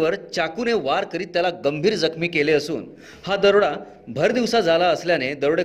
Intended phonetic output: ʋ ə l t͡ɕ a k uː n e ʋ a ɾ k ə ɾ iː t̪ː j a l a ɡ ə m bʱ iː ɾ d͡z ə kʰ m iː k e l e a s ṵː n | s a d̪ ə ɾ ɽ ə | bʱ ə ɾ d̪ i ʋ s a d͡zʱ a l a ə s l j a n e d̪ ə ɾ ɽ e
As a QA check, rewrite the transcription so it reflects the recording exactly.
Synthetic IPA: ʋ ə ɾ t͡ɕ a k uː n e ʋ a ɾ k ə ɾ iː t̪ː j a l a ɡ ə m bʱ iː ɾ d͡z ə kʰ m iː k e l e ə s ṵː n | h a d̪ ə ɾ ɽ a | bʱ ə ɾ d̪ i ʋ s a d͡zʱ a l a ə s l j a n e d̪ ə ɾ ɽ e